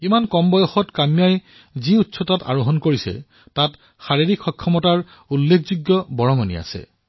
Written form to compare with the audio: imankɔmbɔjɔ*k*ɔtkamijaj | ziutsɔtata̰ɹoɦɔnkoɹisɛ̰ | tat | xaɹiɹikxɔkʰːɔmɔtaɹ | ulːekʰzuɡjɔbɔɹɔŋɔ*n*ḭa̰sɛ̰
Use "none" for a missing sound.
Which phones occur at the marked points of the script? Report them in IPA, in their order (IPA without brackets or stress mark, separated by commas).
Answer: x, n